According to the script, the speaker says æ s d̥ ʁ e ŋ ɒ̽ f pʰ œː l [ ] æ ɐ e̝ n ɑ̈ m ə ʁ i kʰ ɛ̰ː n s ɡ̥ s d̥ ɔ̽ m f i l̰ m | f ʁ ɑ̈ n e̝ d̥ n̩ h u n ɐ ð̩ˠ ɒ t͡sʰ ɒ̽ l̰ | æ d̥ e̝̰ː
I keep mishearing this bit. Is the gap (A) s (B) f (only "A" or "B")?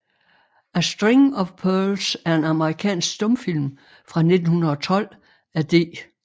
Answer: A